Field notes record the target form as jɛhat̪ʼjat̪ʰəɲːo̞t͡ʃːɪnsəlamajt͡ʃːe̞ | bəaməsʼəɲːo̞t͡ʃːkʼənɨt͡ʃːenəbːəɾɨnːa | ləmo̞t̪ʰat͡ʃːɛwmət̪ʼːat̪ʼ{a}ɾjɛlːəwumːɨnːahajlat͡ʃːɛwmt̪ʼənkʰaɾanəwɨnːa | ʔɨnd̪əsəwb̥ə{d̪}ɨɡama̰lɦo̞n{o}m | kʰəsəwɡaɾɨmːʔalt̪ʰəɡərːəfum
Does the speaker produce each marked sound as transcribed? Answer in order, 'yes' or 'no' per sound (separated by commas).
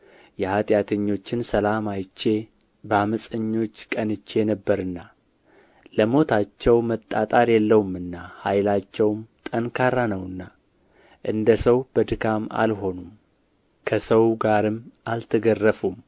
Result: yes, yes, no